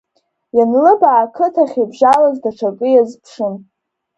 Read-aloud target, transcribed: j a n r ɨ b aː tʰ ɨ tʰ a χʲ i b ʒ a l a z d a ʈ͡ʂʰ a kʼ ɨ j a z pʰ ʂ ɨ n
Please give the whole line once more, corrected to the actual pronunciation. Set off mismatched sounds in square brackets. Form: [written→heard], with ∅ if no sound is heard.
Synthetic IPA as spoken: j a n [r→l] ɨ b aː [tʰ→kʰ] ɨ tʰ a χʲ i b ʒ a l a z d a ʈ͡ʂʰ a kʼ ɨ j a z pʰ ʂ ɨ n